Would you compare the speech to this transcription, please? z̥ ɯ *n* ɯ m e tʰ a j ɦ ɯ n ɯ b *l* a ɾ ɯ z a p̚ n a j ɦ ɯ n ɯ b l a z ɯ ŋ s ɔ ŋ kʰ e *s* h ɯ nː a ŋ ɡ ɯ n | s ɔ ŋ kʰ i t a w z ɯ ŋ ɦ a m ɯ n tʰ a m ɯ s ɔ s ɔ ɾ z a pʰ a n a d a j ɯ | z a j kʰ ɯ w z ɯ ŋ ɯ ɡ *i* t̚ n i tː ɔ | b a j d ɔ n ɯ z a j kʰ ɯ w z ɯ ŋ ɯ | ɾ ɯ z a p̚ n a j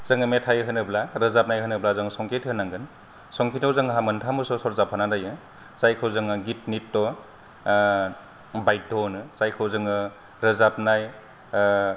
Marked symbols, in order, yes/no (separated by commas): no, yes, no, yes